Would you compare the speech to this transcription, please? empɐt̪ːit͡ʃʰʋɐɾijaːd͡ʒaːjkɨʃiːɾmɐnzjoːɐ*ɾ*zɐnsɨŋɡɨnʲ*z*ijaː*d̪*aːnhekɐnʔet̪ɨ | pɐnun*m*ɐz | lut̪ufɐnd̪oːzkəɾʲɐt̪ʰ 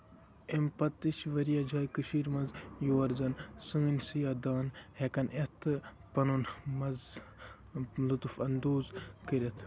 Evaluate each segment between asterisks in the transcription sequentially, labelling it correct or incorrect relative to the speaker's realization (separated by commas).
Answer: correct, incorrect, correct, correct